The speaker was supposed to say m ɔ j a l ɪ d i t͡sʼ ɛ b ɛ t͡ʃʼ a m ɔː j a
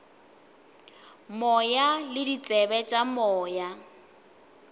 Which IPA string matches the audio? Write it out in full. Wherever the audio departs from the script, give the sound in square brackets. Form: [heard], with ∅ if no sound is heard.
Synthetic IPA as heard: m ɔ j a l ɪ d i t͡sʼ ɛ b ɛ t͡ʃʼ a m ɔː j a